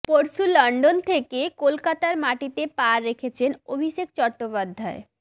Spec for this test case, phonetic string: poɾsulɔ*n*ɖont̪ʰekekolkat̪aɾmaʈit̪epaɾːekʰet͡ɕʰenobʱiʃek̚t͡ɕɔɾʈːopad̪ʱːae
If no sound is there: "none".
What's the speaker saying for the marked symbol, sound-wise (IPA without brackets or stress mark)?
ɳ